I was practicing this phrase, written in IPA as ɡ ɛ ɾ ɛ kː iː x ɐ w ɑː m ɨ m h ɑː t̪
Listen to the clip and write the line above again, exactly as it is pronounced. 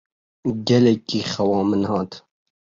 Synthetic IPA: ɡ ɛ l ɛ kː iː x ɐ w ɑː m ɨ n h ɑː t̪